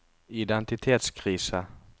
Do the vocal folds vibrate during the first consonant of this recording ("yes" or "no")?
yes